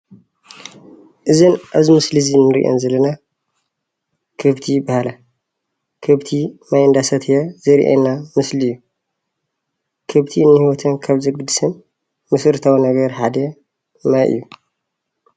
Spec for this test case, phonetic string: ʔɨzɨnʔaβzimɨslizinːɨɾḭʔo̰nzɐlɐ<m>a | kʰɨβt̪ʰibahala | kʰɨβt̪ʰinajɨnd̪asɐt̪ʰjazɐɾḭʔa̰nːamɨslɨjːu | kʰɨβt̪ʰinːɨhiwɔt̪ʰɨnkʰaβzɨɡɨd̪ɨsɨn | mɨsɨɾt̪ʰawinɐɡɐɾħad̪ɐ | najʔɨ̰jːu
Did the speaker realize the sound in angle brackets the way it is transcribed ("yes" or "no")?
no